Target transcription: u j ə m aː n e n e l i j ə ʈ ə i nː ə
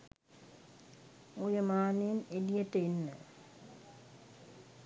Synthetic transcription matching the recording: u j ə m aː n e n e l i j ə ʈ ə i nː ə